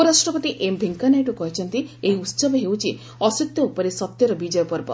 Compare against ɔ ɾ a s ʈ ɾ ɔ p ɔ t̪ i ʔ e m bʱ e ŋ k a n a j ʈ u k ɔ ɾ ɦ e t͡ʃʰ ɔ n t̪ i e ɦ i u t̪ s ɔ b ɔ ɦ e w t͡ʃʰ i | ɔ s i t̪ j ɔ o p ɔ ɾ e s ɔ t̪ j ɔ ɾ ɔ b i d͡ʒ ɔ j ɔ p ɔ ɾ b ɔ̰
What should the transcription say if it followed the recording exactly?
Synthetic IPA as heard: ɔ ɾ a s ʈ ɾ ɔ p ɔ t̪ i ʔ e m bʱ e ŋ k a n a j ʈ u k ɔ ɦ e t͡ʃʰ ɔ n t̪ i e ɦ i u t̪ s ɔ b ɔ ɦ e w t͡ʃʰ i | ɔ s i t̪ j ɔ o p ɔ ɾ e s ɔ t̪ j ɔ ɾ ɔ b i d͡ʒ ɔ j ɔ p ɔ ɾ b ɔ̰